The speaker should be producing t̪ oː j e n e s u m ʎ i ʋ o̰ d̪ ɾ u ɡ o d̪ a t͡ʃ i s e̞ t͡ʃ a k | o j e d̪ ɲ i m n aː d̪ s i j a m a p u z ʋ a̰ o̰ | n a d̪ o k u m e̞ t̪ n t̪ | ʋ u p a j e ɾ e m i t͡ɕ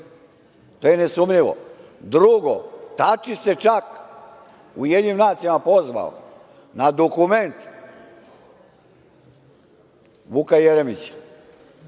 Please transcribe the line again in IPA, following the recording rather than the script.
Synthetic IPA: t̪ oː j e n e s u m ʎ i ʋ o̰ d̪ ɾ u ɡ o t̪ a t͡ʃ i s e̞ t͡ʃ a k | u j e d̪ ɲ i m n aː t̪ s i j a m a p o z ʋ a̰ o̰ | n a d̪ o k u m e̞ n t̪ | ʋ u k a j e ɾ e m i t͡ɕ